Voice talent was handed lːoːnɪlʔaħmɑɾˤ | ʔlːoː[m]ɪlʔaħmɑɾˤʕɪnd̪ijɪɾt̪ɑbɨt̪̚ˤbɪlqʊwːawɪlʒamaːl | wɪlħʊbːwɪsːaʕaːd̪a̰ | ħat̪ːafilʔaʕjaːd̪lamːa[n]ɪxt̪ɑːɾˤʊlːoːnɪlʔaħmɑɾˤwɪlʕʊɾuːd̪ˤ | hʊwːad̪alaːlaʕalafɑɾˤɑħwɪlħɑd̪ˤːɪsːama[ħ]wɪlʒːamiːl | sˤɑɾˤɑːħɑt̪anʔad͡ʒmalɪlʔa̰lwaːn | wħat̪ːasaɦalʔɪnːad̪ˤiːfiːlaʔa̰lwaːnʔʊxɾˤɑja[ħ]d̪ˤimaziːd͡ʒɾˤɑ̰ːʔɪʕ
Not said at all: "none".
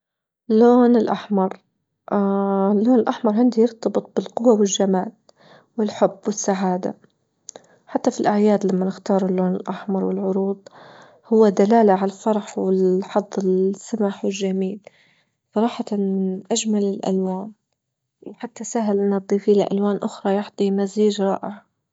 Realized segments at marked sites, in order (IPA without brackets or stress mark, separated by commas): n, n, ħ, ħ